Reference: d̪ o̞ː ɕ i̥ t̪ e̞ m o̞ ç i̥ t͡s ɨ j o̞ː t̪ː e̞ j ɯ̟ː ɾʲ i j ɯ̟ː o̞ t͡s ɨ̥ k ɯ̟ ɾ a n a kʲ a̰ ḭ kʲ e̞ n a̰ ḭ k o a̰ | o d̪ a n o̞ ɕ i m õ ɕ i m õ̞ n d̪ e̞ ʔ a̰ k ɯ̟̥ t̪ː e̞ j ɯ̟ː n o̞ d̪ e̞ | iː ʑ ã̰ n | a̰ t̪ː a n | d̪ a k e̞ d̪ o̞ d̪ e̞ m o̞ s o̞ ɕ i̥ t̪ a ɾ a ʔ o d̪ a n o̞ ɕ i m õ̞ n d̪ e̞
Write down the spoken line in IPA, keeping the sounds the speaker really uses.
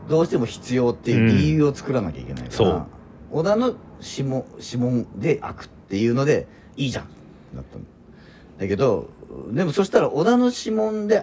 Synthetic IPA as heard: d̪ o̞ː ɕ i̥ t̪ e̞ m o̞ ç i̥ t͡s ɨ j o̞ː t̪ː e̞ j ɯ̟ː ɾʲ i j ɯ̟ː o̞ t͡s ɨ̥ k ɯ̟ ɾ a n a kʲ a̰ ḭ kʲ e̞ n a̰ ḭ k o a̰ | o d̪ a n o̞ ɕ i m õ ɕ i m õ̞ n d̪ e̞ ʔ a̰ k ɯ̟̥ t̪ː e̞ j ɯ̟ː n o̞ d̪ e̞ | iː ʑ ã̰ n | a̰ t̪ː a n | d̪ a k e̞ d̪ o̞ d̪ e̞ m o̞ s o̞ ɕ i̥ t̪ a ɾ a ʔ o d̪ a n o̞ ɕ i m õ̞ n d̪ e̞